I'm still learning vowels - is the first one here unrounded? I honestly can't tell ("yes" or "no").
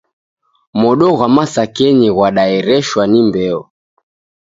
no